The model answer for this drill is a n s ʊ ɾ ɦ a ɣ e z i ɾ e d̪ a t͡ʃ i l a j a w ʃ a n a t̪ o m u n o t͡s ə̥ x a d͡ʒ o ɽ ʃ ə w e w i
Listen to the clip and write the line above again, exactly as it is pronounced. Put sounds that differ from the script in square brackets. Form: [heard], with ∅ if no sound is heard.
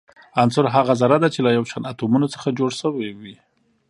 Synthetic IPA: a n s ʊ ɾ ɦ a ɣ [a] z [a] ɾ [a] d̪ a t͡ʃ [e] l a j a w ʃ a n a t̪ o m u n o t͡s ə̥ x a d͡ʒ o ɽ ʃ ə w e w i